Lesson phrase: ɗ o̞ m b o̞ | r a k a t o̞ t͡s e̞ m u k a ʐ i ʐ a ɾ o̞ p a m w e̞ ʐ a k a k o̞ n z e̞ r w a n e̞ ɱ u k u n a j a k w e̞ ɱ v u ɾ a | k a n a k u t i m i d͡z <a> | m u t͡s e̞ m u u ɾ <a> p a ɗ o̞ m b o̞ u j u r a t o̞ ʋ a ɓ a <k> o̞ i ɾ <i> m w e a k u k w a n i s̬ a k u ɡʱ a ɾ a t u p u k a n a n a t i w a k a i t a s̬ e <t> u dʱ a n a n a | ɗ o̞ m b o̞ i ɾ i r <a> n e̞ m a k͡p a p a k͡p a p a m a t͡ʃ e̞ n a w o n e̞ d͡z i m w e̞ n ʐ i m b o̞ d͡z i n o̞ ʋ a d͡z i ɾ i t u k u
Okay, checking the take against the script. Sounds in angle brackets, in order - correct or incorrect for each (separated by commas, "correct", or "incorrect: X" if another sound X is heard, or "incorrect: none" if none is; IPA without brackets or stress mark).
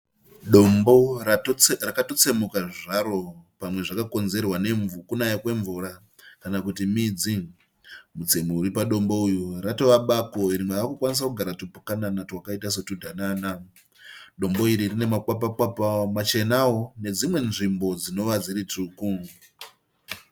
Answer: incorrect: i, incorrect: i, correct, correct, correct, incorrect: i